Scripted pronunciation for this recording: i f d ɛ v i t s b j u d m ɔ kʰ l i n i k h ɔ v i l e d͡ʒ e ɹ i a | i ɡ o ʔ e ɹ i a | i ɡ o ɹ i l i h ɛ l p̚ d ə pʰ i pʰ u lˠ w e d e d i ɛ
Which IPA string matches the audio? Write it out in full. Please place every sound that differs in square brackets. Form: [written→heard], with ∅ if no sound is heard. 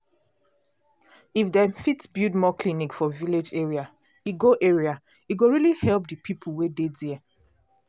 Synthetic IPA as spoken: i f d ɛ [v→f] i t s b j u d m ɔ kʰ l i n i k [h→f] ɔ v i l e d͡ʒ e ɹ i a | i ɡ o ʔ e ɹ i a | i ɡ o ɹ i l i h ɛ l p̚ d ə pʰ i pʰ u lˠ w e d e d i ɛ